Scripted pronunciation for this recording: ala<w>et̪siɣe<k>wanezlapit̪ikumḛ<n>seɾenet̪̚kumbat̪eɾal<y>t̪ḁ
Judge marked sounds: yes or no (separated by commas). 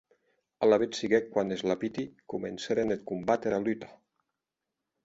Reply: no, yes, yes, yes